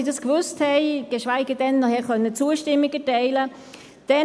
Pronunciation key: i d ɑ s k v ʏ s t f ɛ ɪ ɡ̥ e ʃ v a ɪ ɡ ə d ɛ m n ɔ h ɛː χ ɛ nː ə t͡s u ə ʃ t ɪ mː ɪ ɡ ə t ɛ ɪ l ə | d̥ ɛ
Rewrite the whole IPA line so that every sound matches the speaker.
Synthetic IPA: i d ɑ s k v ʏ s t h ɛ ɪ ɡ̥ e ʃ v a ɪ ɡ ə d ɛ n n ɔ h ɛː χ œ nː ə t͡s u ə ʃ t ɪ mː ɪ ɡ ə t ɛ ɪ l ə | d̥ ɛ